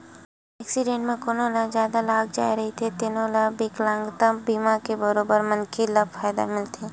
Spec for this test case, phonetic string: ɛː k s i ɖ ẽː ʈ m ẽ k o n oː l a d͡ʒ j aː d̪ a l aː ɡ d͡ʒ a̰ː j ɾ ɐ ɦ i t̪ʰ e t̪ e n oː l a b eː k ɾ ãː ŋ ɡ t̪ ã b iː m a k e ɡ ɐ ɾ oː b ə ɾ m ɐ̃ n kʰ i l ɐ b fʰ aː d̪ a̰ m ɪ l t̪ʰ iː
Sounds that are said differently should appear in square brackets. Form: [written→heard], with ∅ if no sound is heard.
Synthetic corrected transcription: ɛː k s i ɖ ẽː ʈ m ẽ k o n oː l a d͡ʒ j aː d̪ a l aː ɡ d͡ʒ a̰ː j ɾ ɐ ɦ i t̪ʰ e t̪ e n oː l a b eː k [ɾ→l] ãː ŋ ɡ t̪ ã b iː m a k e [ɡ→b] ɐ ɾ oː b ə ɾ m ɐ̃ n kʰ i l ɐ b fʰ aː d̪ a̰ m ɪ l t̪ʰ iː

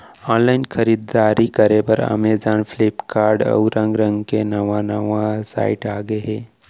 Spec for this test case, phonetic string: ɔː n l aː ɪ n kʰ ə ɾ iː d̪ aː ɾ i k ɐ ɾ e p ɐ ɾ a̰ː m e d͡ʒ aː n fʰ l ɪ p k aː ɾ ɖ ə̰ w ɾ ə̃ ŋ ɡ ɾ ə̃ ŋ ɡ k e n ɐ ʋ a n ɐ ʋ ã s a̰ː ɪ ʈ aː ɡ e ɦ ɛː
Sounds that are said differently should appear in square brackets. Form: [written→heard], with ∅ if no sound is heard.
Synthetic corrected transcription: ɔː n l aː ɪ n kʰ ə ɾ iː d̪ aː ɾ i k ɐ ɾ e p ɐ ɾ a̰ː m e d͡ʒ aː n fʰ l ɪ p k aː ɾ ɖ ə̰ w ɾ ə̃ ŋ ɡ ɾ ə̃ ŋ ɡ k e n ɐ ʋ a n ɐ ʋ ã s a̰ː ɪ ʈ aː ɡ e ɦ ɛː

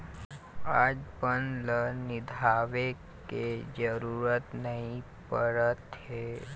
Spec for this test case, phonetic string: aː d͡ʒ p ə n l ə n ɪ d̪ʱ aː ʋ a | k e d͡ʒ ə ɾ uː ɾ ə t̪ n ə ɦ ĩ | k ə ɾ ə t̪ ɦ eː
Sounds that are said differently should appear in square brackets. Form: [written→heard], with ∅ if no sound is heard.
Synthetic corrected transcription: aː d͡ʒ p ə n l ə n ɪ d̪ʱ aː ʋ [a→e] | k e d͡ʒ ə ɾ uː ɾ ə t̪ n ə ɦ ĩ | [k→p] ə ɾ ə t̪ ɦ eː

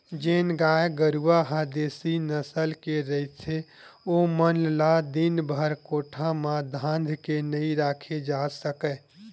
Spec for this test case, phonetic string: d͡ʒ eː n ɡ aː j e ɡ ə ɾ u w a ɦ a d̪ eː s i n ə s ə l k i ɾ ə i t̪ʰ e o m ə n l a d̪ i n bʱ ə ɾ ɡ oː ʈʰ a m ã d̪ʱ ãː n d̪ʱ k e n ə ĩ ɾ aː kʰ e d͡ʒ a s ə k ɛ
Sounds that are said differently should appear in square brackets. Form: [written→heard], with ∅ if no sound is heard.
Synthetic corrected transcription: d͡ʒ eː n ɡ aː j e ɡ ə ɾ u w a ɦ a d̪ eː s i n ə s ə l k [i→e] ɾ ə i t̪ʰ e o m ə n l a d̪ i n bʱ ə ɾ [ɡ→k] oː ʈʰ a m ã d̪ʱ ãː n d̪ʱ k e n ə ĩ ɾ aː kʰ e d͡ʒ a s ə k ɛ

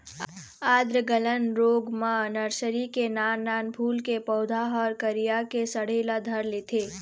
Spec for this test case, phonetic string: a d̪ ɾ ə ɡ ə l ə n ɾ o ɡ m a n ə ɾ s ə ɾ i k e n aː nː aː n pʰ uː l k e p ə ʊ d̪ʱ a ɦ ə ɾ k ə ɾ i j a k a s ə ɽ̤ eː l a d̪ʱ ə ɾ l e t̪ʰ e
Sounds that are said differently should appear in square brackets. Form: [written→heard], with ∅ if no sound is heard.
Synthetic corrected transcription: a d̪ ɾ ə ɡ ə l ə n ɾ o ɡ m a n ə ɾ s ə ɾ i k e n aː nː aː n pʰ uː l k e p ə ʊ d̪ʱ a ɦ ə ɾ k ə ɾ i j a k [a→e] s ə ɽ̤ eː l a d̪ʱ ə ɾ l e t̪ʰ e

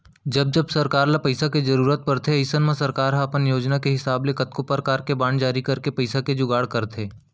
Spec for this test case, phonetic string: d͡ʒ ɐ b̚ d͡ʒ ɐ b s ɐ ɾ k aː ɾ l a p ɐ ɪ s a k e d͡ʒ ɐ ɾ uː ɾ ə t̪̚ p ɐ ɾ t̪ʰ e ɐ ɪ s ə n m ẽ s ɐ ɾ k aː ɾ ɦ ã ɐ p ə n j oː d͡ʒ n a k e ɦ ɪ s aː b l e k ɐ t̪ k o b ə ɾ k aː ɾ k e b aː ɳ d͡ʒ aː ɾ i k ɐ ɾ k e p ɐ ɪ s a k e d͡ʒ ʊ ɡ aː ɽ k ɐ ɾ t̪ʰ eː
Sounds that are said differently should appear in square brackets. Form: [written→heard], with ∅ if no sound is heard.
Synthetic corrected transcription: d͡ʒ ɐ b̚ d͡ʒ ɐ b s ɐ ɾ k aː ɾ l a p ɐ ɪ s a k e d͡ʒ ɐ ɾ uː ɾ ə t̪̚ p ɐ ɾ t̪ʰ e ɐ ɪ s ə n m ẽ s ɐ ɾ k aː ɾ ɦ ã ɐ p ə n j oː d͡ʒ n a k e ɦ ɪ s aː b l e k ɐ t̪ k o [b→p] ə ɾ k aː ɾ k e b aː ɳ d͡ʒ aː ɾ i k ɐ ɾ k e p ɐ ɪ s a k e d͡ʒ ʊ ɡ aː ɽ k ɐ ɾ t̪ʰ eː

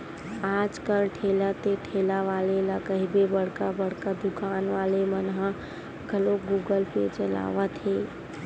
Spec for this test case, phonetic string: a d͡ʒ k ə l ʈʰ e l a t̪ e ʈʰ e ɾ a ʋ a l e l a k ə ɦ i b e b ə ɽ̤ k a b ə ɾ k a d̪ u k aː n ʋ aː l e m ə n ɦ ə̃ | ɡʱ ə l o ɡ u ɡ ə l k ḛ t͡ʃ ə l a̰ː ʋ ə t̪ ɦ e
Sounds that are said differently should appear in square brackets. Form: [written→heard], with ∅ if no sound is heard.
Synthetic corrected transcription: a d͡ʒ k ə l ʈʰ e l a t̪ e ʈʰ e [ɾ→l] a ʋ a l e l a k ə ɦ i b e b ə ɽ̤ k a b ə [ɾ→ɽ] k a d̪ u k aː n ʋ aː l e m ə n ɦ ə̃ | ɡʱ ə l o ɡ u ɡ ə l [k→p] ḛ t͡ʃ ə l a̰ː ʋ ə t̪ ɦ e

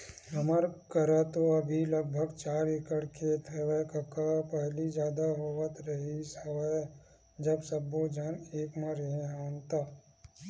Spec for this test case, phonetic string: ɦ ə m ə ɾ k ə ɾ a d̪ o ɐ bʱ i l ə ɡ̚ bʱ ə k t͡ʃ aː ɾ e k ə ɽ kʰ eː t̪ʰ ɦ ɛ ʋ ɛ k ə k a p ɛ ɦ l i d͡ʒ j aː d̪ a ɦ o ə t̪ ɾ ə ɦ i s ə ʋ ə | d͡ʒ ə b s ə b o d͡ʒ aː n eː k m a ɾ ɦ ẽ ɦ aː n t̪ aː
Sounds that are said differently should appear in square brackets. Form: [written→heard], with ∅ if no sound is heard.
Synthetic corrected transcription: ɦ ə m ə ɾ k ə ɾ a [d̪→t̪] o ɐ bʱ i l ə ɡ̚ bʱ ə [k→ɡ] t͡ʃ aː ɾ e k ə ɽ kʰ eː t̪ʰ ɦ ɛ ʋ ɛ k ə k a p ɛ ɦ l i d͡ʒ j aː d̪ a ɦ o ə t̪ ɾ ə ɦ i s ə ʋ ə | d͡ʒ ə b s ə b o d͡ʒ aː n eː k m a ɾ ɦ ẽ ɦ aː n t̪ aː

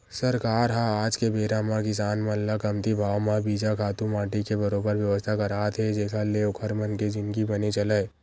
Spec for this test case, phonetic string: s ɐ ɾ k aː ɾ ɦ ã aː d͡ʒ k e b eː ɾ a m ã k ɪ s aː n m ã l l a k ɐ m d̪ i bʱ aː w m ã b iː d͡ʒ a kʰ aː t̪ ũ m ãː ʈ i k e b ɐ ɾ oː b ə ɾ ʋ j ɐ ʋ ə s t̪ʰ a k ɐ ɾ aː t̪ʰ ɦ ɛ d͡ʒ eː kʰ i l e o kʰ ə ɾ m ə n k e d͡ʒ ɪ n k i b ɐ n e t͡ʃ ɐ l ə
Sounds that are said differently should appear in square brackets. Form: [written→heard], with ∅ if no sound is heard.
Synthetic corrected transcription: s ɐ ɾ k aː ɾ ɦ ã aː d͡ʒ k e b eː ɾ a m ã k ɪ s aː n m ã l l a k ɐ m [d̪→t̪] i bʱ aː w m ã b iː d͡ʒ a kʰ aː t̪ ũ m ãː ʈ i k e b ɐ ɾ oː b ə ɾ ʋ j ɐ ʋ ə s t̪ʰ a k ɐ ɾ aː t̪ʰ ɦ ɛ d͡ʒ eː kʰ [i→a] l e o kʰ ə ɾ m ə n k e d͡ʒ ɪ n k i b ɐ n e t͡ʃ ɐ l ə

